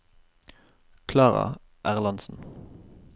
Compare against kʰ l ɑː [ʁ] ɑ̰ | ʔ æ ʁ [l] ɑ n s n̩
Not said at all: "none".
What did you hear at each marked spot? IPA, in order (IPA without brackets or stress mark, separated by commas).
ʁ, l